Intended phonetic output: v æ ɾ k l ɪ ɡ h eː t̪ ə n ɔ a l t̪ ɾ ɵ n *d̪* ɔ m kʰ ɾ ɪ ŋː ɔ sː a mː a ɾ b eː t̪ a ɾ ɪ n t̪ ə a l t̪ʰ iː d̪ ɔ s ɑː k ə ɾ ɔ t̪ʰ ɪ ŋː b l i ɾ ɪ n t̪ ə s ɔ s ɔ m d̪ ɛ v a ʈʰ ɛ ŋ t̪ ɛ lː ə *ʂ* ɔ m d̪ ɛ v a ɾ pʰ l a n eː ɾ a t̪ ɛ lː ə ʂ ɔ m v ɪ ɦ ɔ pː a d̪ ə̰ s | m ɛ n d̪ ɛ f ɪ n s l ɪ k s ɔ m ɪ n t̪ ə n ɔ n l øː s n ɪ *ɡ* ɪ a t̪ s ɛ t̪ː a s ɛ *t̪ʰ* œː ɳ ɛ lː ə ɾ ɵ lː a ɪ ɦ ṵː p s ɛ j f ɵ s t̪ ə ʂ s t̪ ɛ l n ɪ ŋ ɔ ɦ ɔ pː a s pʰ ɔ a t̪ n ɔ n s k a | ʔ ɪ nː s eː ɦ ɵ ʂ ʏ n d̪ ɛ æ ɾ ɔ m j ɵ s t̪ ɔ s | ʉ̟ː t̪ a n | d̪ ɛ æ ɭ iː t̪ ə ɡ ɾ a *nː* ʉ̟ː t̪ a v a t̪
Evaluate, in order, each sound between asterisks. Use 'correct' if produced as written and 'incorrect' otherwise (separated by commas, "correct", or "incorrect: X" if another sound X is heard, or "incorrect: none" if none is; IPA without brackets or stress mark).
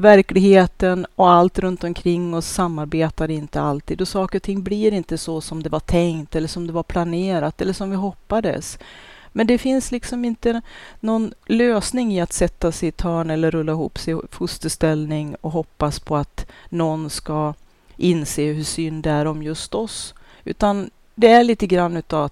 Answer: incorrect: t̪, correct, incorrect: ŋ, correct, correct